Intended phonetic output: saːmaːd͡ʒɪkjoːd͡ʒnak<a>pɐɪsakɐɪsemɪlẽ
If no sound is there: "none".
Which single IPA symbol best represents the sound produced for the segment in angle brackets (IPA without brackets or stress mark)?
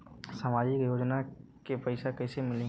e